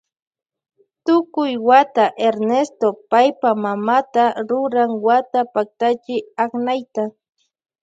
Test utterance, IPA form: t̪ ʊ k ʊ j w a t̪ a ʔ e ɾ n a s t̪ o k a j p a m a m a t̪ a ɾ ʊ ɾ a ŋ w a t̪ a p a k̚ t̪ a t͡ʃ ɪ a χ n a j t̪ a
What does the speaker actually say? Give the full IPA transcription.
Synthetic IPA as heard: t̪ ʊ k ʊ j w a t̪ a ʔ e ɾ n e s t̪ o p a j p a m a m a t̪ a ɾ ʊ ɾ a ŋ w a t̪ a p a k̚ t̪ a t͡ʃ ɪ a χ n a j t̪ a